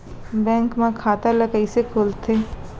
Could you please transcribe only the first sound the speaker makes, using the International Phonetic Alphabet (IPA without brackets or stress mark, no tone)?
b